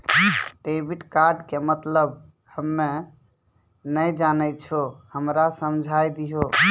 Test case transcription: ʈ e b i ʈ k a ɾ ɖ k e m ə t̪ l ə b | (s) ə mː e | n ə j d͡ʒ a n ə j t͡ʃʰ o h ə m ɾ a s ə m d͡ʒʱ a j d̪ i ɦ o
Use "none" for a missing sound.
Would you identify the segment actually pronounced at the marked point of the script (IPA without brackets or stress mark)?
h